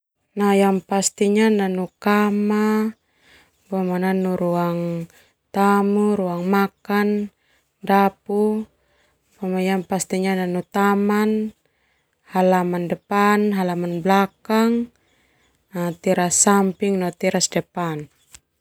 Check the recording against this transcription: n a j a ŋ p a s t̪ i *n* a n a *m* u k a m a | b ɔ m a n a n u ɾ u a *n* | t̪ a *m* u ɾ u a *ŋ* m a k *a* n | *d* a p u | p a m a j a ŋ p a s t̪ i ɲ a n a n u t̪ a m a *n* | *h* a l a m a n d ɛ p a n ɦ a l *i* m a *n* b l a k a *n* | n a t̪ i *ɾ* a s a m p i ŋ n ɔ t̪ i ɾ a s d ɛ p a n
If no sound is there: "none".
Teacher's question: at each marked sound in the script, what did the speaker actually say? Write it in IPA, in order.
ɲ, n, ŋ, m, ŋ, a, d, n, h, a, n, ŋ, ɾ

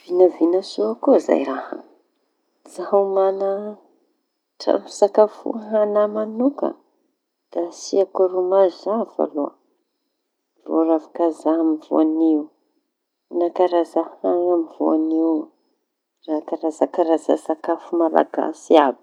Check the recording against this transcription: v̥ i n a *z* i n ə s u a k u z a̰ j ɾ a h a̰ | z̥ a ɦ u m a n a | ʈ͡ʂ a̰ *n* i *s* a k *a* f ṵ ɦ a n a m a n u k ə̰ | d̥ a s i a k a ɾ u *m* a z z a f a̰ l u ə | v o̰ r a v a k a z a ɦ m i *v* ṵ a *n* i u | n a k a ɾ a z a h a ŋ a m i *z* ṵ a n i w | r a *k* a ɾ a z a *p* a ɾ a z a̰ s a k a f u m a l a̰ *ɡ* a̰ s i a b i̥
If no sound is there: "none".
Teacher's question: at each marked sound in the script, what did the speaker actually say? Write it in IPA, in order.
v, m, s, a, m, v, n, v, k, k, ɡ

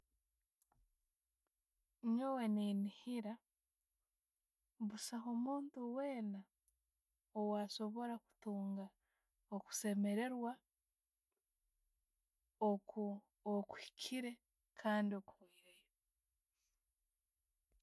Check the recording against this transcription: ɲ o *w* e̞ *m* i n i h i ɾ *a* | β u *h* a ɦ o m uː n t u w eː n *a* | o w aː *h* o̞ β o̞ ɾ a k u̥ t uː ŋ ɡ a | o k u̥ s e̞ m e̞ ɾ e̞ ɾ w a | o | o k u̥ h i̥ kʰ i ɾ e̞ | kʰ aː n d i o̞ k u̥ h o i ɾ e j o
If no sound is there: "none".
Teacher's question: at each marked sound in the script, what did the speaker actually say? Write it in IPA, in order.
w, n, a, s, a, s

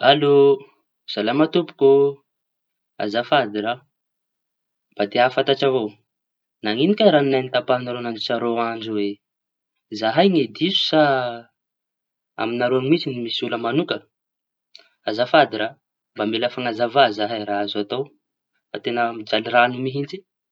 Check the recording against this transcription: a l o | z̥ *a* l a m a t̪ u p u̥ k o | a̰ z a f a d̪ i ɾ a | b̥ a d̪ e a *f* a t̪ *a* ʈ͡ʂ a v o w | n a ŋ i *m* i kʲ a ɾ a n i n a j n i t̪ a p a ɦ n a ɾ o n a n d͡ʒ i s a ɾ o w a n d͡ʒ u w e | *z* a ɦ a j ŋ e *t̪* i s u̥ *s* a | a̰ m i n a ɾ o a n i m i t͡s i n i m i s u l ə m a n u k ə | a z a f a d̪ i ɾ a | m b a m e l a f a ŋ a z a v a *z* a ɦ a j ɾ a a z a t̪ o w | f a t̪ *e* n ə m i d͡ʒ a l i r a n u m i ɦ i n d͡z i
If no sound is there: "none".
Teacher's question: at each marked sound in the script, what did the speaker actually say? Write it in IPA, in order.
a, f, a, n, z, d̪, s, z, e

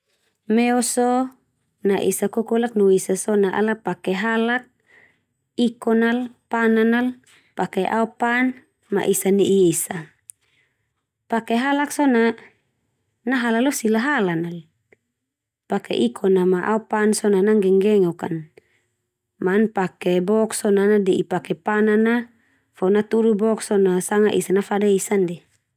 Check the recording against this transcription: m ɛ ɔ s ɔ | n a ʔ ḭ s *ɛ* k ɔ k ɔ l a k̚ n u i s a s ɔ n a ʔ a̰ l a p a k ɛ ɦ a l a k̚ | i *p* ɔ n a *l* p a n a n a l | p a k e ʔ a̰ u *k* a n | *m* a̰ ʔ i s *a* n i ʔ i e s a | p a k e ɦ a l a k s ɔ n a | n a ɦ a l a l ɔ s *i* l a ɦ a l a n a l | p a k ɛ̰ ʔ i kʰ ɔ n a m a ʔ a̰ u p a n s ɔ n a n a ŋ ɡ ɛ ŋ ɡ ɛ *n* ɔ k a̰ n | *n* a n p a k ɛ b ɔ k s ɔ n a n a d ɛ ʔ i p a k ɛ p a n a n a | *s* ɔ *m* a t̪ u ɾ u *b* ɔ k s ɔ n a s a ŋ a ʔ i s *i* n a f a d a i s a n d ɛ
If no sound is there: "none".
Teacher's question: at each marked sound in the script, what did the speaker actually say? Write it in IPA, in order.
a, k, l, p, m, a, i, ŋ, m, f, n, b, a

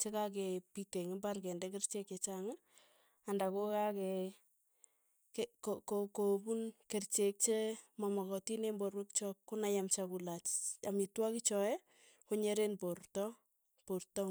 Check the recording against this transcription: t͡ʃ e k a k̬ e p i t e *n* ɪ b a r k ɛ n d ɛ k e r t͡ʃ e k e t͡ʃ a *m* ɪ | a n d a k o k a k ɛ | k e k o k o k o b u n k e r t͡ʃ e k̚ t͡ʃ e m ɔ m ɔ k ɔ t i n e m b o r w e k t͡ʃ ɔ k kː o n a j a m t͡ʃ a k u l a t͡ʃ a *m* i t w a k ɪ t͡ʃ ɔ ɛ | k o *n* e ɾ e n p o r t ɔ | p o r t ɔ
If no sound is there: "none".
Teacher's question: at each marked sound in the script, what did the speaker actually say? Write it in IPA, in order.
ŋ, ŋ, m, ɲ

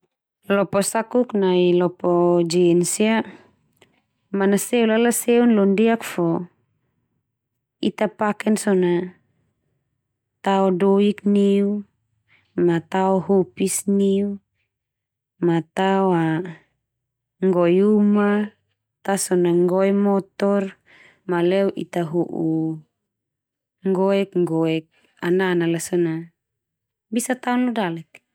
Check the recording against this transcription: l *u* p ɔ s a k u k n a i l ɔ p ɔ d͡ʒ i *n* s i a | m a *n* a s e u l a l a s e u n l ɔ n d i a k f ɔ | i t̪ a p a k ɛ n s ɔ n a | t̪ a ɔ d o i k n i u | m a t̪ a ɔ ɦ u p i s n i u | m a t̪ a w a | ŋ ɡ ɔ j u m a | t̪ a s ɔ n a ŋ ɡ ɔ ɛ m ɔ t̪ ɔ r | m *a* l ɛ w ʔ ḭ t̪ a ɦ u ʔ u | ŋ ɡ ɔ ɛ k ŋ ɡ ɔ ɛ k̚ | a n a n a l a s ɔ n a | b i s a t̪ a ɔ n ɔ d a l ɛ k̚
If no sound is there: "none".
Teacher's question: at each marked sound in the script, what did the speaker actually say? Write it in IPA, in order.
ɔ, n, n, a

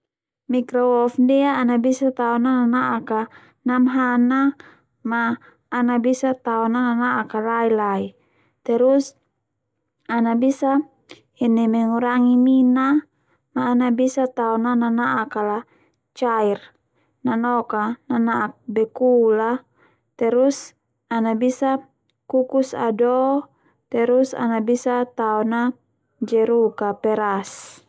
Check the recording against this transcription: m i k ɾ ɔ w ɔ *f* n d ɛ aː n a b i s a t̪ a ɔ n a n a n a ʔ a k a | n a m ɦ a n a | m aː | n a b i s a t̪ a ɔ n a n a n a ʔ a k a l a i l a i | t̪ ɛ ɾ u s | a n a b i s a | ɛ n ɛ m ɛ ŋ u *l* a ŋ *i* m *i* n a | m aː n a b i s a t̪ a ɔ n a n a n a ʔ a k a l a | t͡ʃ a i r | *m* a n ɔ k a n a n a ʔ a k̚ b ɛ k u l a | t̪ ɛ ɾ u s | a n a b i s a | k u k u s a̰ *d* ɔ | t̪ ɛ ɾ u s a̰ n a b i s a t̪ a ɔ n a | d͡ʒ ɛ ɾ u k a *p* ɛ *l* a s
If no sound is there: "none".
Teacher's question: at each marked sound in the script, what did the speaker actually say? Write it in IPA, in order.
f, ɾ, i, i, n, d, p, ɾ

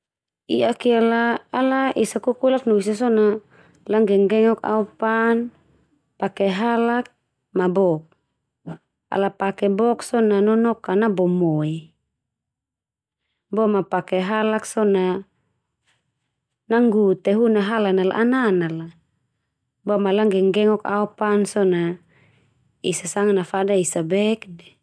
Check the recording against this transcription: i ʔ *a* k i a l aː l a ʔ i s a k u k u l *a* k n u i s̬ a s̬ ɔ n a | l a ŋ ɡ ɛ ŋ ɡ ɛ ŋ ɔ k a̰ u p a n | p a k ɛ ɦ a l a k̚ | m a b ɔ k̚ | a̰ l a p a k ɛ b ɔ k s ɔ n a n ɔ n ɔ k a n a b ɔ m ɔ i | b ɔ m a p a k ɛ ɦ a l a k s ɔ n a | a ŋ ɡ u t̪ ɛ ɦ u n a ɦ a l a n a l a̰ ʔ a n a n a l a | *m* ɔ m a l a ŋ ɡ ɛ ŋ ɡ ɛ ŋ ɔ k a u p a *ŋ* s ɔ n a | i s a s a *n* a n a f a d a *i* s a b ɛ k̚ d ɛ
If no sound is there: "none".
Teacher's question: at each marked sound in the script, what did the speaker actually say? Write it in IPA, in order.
a, a, b, n, ŋ, i

